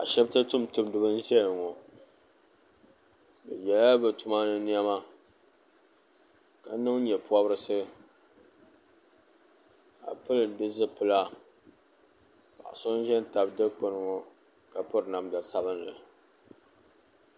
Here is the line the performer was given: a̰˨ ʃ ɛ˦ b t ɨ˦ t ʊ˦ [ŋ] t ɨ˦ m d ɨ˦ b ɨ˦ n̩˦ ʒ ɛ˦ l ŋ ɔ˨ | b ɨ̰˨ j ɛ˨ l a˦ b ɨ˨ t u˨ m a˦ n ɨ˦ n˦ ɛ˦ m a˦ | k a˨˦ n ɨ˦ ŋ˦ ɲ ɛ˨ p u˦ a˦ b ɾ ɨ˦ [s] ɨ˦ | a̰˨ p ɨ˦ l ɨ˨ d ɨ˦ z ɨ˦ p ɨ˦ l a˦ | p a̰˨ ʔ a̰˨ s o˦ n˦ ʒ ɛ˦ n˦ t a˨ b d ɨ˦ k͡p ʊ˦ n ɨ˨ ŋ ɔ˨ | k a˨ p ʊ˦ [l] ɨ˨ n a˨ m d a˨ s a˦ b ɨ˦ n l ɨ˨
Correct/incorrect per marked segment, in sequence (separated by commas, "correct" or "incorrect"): incorrect, correct, incorrect